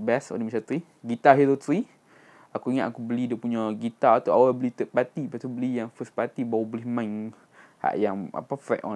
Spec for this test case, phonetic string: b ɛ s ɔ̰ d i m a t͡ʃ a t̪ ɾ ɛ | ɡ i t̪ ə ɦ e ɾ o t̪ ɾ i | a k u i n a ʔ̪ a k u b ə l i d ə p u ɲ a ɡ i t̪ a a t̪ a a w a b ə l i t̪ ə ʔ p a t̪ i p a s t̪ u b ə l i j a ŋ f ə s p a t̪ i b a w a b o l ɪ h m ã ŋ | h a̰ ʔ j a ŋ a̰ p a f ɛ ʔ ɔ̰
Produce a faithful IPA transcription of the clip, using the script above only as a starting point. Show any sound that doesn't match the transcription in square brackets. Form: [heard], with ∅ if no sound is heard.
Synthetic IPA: b ɛ s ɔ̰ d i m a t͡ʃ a t̪ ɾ [i] | ɡ i t̪ [a] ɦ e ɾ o t̪ ɾ i | a k u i [ŋ] a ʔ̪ a k u b ə l i d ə p u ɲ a ɡ i t̪ a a t̪ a a w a b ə l i t̪ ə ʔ p a t̪ i p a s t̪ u b ə l i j a ŋ f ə s p a t̪ i b a w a b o l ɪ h m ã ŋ | h a̰ ʔ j a ŋ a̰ p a f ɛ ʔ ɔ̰